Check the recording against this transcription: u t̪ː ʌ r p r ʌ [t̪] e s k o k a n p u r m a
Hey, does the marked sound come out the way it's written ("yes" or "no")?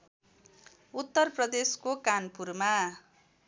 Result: no